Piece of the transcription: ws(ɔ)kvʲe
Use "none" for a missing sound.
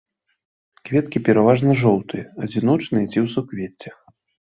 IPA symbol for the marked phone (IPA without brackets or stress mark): u